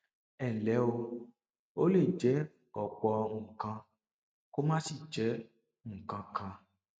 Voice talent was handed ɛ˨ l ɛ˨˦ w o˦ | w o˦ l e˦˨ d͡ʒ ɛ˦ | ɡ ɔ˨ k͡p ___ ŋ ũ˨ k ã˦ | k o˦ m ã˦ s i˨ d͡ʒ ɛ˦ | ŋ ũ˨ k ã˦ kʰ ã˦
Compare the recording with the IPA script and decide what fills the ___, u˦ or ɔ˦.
ɔ˦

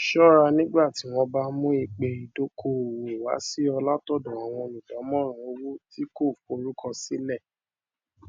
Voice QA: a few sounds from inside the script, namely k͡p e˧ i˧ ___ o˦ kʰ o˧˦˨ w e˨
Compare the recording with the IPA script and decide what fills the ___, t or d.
d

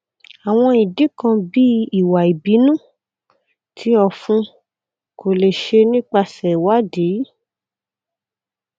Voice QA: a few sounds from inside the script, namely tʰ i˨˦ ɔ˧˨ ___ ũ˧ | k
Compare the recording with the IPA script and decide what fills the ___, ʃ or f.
f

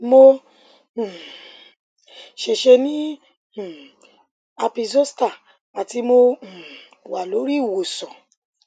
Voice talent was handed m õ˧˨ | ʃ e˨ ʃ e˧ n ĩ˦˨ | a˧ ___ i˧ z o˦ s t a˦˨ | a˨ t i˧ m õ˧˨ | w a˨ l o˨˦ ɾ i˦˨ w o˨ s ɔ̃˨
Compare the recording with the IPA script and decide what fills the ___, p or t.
p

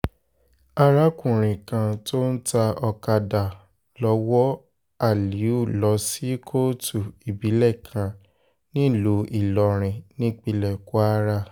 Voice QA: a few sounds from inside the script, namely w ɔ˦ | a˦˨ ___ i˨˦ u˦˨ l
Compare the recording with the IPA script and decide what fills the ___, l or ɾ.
l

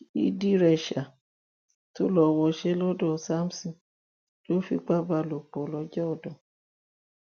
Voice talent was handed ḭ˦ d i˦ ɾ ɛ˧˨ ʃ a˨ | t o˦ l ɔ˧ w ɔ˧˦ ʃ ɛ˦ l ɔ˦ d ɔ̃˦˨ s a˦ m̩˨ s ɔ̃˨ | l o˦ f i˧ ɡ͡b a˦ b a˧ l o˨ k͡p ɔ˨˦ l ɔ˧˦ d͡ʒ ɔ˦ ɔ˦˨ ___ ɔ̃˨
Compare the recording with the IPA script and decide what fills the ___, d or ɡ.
d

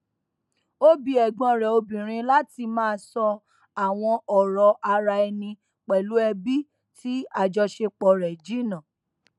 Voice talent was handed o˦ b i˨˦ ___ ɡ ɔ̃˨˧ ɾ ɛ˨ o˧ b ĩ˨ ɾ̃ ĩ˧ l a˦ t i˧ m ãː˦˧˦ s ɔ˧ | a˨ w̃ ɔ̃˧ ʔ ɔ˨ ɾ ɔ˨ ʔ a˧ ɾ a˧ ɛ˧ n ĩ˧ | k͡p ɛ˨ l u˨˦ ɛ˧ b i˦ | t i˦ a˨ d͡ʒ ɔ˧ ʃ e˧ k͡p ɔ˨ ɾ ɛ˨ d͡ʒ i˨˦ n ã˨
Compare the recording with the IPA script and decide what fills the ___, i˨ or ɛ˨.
ɛ˨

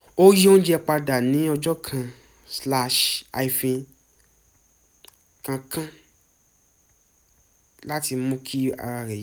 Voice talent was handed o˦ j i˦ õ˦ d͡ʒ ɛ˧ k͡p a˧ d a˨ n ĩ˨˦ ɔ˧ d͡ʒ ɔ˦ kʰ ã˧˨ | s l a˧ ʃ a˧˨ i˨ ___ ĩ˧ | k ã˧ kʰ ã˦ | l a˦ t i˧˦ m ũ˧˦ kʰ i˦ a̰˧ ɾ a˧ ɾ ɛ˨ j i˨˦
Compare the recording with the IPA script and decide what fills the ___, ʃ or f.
f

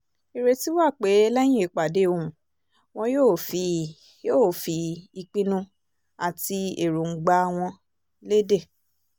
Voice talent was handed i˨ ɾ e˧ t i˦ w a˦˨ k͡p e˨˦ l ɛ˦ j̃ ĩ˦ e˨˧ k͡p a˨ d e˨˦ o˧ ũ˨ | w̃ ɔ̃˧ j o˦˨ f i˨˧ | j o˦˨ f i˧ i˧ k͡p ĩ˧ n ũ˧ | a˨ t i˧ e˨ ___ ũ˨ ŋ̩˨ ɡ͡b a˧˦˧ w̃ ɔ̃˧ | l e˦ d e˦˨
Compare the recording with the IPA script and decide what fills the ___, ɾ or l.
ɾ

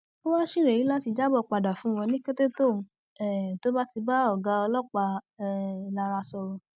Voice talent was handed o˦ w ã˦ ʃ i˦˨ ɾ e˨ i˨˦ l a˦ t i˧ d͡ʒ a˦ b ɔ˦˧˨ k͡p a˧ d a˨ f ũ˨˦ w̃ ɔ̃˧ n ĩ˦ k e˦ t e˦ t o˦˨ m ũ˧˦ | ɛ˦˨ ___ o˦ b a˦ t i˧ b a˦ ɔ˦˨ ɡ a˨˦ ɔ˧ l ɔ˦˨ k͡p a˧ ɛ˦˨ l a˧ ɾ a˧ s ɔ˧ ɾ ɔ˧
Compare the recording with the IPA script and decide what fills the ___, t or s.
t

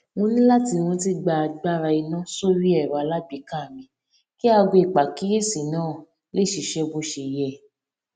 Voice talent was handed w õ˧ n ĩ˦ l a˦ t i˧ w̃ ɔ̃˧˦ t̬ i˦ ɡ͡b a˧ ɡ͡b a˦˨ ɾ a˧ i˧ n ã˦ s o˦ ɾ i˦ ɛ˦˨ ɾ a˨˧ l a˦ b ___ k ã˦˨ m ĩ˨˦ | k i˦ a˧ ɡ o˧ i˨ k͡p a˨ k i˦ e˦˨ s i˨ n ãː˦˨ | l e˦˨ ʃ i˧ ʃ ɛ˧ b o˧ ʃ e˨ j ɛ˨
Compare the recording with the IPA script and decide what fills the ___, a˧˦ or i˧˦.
i˧˦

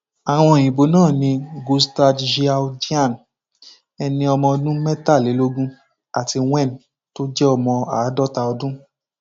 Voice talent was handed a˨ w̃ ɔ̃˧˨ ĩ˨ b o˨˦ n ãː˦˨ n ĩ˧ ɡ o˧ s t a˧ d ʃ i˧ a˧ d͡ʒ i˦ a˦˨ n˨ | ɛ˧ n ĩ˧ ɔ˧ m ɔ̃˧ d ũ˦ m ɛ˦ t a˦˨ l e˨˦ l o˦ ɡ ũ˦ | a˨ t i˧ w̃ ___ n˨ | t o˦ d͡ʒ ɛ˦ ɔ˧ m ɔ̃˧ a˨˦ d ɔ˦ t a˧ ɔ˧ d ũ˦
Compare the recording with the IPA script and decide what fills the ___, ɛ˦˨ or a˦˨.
ɛ˦˨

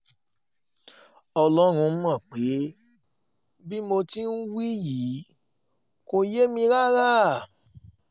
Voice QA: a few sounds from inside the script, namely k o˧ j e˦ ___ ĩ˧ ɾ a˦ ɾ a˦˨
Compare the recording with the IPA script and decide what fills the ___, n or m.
m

